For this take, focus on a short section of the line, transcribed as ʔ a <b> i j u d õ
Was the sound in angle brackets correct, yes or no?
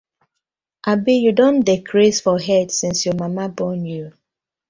yes